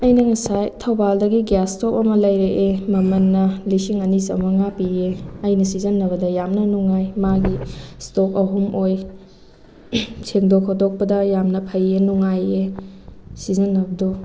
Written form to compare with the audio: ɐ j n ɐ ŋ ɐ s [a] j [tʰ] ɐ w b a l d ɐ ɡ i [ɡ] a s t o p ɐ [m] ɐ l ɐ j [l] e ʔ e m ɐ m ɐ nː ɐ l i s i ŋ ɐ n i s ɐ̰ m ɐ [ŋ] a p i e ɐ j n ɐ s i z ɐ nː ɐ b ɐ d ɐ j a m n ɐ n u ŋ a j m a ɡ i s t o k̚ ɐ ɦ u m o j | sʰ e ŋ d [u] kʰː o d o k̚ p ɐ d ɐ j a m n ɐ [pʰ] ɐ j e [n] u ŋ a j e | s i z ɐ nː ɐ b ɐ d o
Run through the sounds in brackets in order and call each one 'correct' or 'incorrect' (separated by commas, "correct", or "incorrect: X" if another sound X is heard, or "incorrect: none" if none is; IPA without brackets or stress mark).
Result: correct, correct, correct, correct, incorrect: ɾ, correct, incorrect: o, correct, correct